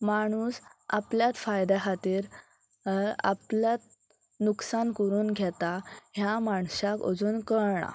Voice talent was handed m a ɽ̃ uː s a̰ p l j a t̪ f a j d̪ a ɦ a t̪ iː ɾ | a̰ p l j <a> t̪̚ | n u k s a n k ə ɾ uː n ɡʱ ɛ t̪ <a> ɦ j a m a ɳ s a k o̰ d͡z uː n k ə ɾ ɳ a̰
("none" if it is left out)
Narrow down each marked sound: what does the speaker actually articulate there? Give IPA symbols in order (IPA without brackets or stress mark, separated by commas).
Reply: a, a